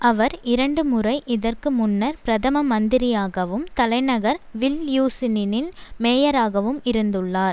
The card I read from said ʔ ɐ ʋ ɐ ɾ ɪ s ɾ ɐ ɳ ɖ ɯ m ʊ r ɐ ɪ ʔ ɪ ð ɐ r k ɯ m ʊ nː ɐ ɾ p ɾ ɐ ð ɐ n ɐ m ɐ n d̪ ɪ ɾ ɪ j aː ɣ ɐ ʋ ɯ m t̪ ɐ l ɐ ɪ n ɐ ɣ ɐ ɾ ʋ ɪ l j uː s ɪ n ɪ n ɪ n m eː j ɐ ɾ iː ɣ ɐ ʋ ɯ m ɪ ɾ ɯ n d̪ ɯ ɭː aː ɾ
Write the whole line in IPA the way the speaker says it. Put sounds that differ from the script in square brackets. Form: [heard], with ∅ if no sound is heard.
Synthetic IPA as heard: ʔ ɐ ʋ ɐ ɾ ɪ [∅] ɾ ɐ ɳ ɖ ɯ m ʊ r ɐ ɪ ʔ ɪ ð ɐ r k ɯ m ʊ nː ɐ ɾ p ɾ ɐ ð ɐ [m] ɐ m ɐ n d̪ ɪ ɾ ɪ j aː ɣ ɐ ʋ ɯ m t̪ ɐ l ɐ ɪ n ɐ ɣ ɐ ɾ ʋ ɪ l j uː s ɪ n ɪ n ɪ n m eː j ɐ ɾ [aː] ɣ ɐ ʋ ɯ m ɪ ɾ ɯ n d̪ ɯ ɭː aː ɾ